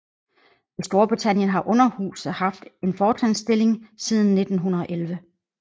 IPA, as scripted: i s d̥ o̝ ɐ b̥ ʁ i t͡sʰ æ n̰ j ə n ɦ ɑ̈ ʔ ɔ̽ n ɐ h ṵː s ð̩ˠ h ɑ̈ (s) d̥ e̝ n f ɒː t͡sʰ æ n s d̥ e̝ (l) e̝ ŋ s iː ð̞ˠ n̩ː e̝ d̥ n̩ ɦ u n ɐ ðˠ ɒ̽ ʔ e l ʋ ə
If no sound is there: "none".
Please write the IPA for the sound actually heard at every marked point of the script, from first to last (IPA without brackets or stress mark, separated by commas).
f, l